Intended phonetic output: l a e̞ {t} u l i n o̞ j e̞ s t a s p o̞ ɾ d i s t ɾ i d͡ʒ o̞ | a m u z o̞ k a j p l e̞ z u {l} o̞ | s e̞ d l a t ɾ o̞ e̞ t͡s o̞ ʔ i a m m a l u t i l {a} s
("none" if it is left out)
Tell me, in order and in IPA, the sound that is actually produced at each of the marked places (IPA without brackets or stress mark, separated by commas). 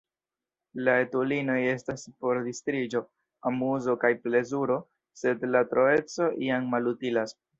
t, ɾ, a